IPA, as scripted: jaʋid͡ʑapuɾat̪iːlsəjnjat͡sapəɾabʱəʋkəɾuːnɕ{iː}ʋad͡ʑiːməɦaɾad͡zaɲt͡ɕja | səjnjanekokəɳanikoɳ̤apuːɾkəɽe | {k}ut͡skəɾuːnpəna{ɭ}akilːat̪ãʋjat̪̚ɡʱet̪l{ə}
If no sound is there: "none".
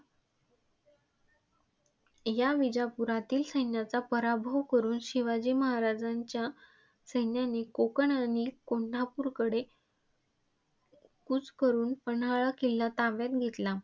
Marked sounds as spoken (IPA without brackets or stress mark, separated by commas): i, k, ɭ, a